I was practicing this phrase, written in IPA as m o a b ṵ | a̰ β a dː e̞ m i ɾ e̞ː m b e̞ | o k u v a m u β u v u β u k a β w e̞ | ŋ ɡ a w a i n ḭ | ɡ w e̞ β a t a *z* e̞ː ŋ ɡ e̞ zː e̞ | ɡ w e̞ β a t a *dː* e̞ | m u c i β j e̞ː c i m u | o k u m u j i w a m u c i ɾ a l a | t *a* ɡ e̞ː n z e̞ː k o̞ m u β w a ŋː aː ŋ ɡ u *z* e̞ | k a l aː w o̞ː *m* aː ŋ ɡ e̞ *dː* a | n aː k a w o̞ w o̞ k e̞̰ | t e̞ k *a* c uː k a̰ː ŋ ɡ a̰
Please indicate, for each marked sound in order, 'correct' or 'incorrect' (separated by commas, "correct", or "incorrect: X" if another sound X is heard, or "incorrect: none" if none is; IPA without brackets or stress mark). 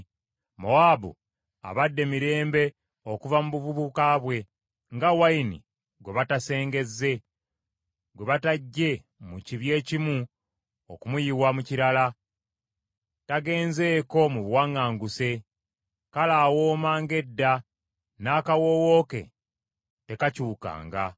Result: incorrect: s, incorrect: ɟː, correct, incorrect: s, correct, correct, correct